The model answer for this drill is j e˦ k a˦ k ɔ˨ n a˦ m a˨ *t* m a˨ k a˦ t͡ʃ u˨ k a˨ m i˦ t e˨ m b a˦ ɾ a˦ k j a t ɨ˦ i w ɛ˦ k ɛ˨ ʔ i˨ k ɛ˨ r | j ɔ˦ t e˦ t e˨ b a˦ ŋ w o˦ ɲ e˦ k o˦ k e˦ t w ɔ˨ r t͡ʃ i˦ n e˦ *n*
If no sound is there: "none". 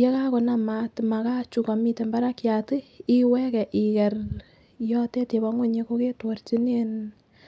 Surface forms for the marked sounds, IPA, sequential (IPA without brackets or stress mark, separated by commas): t, n